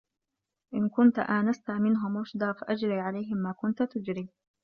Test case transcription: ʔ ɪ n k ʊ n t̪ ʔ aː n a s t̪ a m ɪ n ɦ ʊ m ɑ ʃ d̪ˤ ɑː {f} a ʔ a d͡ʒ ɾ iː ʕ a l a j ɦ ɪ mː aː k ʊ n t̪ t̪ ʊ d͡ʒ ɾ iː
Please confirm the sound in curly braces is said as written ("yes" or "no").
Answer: yes